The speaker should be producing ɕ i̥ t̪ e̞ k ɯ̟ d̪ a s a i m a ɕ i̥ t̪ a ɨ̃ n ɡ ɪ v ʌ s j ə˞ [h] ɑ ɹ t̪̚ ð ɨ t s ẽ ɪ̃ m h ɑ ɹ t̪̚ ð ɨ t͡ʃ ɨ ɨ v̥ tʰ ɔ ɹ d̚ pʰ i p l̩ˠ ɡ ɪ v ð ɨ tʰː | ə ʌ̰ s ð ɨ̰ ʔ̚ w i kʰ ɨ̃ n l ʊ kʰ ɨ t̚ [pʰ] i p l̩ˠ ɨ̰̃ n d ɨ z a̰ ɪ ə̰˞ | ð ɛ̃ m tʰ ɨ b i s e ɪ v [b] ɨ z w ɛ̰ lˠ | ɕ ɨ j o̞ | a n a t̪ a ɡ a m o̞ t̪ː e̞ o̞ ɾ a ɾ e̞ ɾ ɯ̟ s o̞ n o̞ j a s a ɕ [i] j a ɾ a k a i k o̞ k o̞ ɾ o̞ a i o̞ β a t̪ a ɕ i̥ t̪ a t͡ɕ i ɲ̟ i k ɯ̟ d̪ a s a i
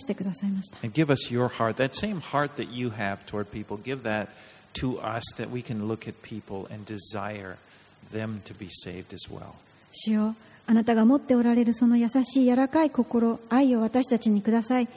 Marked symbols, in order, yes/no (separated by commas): yes, yes, no, no